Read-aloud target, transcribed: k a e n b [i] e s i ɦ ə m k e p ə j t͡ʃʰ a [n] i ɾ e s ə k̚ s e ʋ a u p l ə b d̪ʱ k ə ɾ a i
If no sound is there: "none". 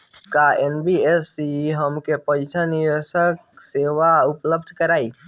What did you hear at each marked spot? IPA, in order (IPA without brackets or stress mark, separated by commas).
i, n